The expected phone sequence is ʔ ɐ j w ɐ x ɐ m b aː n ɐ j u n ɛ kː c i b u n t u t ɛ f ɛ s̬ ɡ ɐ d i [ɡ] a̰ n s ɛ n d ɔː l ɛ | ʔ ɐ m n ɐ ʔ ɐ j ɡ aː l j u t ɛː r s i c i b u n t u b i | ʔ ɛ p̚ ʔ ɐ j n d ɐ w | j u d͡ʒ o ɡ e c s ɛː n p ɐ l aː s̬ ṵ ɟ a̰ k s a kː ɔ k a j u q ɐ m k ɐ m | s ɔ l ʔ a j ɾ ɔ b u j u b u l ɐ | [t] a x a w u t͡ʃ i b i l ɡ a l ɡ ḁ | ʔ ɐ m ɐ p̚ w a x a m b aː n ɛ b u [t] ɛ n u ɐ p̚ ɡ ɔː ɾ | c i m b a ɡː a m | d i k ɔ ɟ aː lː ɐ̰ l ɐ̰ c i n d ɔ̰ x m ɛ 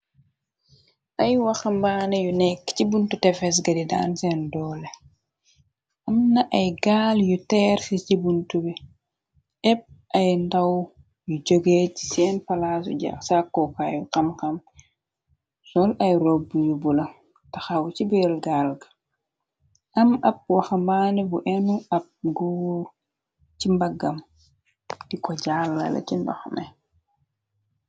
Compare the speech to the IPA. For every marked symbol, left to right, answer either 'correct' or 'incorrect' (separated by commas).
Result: incorrect, correct, incorrect